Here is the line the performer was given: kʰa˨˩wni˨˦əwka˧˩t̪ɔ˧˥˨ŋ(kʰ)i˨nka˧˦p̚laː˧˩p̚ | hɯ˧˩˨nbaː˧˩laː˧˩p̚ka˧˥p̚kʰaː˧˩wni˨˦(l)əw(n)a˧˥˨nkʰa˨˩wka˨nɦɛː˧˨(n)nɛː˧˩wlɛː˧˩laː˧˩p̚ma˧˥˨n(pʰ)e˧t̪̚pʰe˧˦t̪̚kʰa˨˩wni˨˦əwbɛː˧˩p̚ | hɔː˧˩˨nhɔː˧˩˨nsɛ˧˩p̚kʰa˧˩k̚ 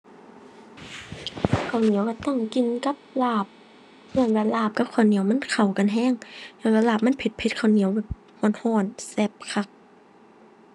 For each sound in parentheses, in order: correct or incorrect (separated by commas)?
incorrect, incorrect, incorrect, incorrect, correct